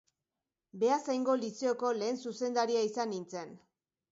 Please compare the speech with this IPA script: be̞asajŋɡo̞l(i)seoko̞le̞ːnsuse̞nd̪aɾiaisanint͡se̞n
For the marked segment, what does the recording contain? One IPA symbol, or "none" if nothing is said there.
i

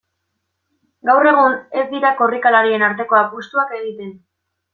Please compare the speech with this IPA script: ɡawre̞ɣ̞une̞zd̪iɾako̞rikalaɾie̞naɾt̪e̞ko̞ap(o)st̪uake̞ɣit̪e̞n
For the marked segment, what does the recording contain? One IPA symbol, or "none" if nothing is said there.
u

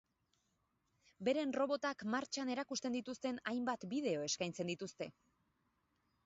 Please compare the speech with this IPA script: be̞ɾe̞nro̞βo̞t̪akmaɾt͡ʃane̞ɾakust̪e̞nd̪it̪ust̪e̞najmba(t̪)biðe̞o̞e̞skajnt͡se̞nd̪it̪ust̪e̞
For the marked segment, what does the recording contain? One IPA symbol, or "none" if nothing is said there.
t̪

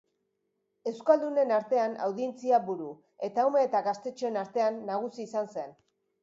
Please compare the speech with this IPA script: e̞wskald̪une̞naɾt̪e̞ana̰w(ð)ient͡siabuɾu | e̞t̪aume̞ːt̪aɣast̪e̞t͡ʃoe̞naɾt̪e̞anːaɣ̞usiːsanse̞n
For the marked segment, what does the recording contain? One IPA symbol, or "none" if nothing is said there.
ð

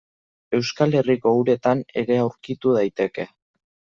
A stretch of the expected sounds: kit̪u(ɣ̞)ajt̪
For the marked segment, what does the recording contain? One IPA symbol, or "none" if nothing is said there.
ð̞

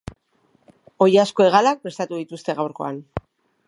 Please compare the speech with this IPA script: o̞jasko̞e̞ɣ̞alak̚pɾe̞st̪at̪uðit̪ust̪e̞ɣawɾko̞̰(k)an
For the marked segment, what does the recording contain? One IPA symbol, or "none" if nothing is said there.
none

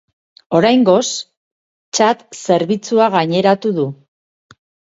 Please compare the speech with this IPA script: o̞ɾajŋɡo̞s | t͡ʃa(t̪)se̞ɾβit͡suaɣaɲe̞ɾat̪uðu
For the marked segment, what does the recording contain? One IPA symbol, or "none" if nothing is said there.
t̪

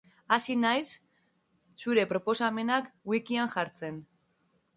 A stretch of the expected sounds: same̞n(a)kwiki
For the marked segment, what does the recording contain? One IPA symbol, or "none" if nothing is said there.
a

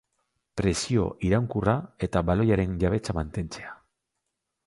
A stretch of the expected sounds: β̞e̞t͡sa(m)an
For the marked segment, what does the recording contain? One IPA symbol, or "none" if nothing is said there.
m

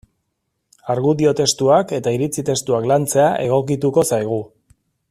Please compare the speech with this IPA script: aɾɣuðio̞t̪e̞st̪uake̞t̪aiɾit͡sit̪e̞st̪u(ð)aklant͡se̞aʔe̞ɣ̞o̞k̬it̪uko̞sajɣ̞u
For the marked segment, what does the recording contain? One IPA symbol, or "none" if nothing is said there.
none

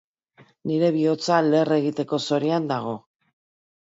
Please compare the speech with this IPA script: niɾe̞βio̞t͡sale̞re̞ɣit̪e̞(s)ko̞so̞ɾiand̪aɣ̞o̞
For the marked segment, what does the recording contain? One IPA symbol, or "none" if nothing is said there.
none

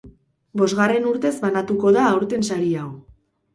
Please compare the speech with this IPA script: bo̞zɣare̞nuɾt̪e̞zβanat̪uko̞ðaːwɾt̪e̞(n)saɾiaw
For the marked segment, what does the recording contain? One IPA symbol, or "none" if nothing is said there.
n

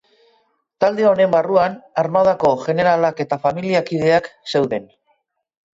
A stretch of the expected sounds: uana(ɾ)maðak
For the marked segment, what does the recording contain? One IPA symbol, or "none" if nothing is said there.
ɾ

